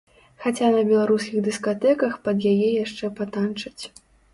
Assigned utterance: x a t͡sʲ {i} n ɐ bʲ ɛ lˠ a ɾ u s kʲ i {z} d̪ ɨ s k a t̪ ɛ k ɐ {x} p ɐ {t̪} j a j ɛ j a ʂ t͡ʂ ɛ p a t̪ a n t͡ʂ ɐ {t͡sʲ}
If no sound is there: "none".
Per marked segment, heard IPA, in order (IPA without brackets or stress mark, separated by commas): a, ɣ, x, d̪, t͡sʲ